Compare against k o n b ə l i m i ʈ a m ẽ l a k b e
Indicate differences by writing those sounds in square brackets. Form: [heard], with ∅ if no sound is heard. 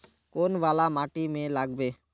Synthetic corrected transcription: k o n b [a] l [a] m [a] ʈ [i] m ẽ l a [ɡ] b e

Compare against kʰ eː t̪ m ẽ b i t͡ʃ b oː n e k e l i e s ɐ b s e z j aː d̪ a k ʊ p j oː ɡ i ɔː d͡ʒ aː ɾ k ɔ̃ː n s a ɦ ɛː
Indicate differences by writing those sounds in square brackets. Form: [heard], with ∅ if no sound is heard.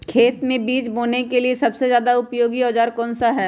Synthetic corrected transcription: kʰ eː t̪ m ẽ b [iː] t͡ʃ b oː n e k e l i e s ɐ b s e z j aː d̪ a [∅] ʊ p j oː ɡ i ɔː d͡ʒ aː ɾ k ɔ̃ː n s a ɦ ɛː

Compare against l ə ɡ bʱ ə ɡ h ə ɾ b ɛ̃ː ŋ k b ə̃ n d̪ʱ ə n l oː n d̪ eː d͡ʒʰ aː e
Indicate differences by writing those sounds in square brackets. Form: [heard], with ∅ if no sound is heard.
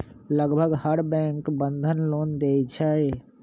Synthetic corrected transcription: l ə ɡ bʱ ə ɡ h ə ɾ b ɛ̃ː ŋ k b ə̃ n d̪ʱ ə n l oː n d̪ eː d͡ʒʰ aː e

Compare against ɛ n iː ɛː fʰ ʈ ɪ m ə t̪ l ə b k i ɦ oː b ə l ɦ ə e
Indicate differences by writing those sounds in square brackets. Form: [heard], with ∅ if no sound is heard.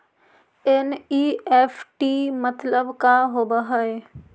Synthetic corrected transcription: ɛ n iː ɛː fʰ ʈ [i] m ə t̪ l ə b k [a] ɦ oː b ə [∅] ɦ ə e

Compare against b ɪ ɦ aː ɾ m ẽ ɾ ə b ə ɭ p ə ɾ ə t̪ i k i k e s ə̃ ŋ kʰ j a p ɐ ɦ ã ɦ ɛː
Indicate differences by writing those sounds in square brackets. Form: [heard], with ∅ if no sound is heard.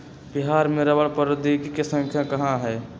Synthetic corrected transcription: b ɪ ɦ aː ɾ m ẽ ɾ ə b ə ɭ p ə ɾ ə [d̪] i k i k e s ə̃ ŋ kʰ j a [k] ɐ ɦ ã ɦ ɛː

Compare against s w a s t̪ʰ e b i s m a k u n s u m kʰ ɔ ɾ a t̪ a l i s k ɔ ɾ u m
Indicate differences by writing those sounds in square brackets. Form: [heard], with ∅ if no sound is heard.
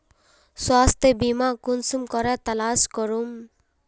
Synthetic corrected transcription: s w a s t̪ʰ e b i [∅] m a k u n s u m [k] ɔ ɾ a t̪ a l [a] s k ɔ ɾ u m

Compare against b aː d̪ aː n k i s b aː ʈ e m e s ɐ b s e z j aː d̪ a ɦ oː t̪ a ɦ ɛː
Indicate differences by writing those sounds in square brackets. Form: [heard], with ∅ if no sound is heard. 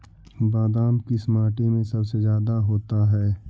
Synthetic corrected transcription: b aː d̪ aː [m] k i s [m] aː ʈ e m [ẽ] s ɐ b s e z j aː d̪ a ɦ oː t̪ a ɦ ɛː

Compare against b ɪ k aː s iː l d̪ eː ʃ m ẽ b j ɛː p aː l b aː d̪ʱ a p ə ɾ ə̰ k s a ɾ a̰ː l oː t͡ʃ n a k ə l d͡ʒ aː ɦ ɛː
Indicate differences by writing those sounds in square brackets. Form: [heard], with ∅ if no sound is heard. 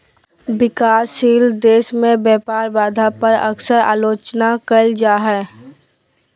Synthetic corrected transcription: b ɪ k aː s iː l d̪ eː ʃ m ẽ b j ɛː p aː [ɾ] b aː d̪ʱ a p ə ɾ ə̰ k s [ə] ɾ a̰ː l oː t͡ʃ n a k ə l d͡ʒ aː ɦ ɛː

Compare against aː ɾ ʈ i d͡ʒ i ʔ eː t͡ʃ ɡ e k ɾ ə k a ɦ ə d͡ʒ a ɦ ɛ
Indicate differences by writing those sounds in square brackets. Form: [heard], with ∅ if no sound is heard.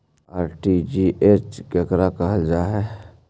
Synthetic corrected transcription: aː ɾ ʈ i d͡ʒ i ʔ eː t͡ʃ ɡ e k ɾ [a] k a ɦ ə d͡ʒ a ɦ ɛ

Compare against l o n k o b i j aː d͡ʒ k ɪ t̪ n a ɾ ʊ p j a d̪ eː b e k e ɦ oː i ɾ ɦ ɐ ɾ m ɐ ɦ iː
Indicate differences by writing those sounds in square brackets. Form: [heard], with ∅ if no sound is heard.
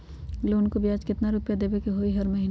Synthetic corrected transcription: l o n k o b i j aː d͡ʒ k ɪ t̪ n a ɾ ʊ p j a d̪ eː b e k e ɦ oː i [∅] ɦ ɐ ɾ m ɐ ɦ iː

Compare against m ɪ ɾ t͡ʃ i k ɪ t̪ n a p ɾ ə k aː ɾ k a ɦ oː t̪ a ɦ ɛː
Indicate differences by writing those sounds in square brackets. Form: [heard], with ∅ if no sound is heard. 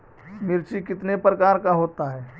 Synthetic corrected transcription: m ɪ ɾ t͡ʃ i k ɪ t̪ n [e] p ɾ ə k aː ɾ k a ɦ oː t̪ a ɦ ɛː

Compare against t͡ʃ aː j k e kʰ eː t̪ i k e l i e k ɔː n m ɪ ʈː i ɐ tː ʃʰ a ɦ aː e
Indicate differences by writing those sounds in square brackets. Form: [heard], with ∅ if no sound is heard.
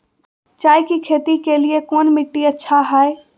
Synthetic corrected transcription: t͡ʃ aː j k [i] kʰ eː t̪ i k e l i e k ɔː n m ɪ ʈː i ɐ tː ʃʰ a ɦ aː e

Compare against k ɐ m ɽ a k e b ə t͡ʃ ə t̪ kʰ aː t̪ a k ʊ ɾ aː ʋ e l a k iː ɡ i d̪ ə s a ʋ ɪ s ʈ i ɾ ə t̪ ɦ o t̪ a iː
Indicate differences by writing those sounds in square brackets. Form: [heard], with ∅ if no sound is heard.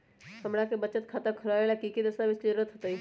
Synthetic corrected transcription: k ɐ m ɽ a k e b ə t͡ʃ ə t̪ kʰ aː t̪ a [kʰ] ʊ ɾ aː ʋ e l a k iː [k] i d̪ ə s a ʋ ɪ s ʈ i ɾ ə t̪ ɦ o t̪ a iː

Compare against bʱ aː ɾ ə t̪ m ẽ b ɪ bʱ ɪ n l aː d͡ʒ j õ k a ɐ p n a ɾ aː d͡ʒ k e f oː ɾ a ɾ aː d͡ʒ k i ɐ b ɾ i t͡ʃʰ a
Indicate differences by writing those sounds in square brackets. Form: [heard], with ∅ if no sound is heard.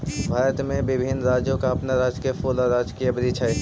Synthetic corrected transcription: bʱ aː ɾ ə t̪ m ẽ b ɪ bʱ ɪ n [ɾ] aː d͡ʒ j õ k a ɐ p n a ɾ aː d͡ʒ k e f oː [l] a ɾ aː d͡ʒ k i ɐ b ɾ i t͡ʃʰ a

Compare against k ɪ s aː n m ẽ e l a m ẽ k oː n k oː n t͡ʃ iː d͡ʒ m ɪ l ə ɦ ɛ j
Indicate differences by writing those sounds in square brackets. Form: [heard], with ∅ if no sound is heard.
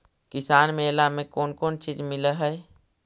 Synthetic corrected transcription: k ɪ s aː n m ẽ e l a m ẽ k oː n k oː n t͡ʃ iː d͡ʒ m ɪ l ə ɦ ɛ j

